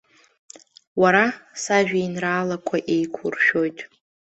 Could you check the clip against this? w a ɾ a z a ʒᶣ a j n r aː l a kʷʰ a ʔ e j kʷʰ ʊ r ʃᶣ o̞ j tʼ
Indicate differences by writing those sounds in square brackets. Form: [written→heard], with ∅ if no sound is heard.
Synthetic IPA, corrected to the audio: w a ɾ a [z→s] a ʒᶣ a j n r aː l a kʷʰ a ʔ e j kʷʰ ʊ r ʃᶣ o̞ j tʼ